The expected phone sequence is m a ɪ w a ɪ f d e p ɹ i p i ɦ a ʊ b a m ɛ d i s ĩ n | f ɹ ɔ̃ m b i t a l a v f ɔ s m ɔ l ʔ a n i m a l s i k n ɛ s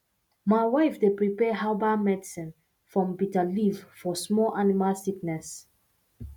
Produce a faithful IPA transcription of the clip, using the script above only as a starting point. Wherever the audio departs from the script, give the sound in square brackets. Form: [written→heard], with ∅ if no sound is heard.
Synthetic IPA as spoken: m a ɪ w a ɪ f d e p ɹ i p [i→ɛ] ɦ a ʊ b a m ɛ d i s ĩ n | f ɹ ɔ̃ m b i t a l [a→i] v f ɔ s m ɔ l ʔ a n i m a l s i k n ɛ s